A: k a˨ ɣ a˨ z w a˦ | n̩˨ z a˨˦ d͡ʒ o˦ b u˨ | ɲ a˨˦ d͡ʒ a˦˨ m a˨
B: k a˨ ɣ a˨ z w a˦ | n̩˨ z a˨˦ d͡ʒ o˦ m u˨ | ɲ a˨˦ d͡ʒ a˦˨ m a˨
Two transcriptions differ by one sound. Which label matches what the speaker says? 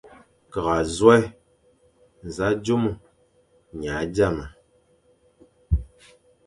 B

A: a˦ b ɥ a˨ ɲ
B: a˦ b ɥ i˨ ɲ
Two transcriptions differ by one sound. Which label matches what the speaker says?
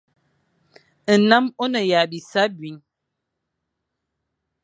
B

